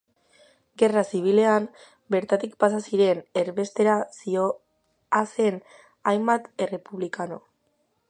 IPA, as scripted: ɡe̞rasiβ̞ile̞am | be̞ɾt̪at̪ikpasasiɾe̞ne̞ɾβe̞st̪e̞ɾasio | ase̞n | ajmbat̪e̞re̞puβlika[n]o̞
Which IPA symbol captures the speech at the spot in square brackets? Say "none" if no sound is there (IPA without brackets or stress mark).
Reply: n